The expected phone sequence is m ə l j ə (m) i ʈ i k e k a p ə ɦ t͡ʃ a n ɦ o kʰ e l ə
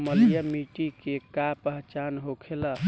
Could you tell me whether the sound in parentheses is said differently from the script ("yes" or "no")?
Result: no